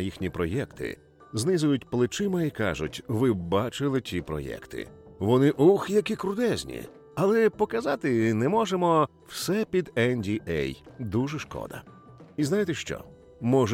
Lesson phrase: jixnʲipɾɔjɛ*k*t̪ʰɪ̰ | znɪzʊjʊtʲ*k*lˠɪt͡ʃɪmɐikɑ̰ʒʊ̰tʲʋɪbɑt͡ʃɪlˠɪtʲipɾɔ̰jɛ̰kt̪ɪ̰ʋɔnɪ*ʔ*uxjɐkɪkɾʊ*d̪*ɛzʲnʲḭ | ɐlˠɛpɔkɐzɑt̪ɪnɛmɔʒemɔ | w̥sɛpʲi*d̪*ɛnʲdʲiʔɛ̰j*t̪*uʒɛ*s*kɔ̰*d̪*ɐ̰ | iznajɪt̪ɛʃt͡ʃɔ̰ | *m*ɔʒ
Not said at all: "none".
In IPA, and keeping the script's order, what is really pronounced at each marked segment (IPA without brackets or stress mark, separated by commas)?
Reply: k, p, ʔ, d̪, d̪, d̪, ʃ, d̪, m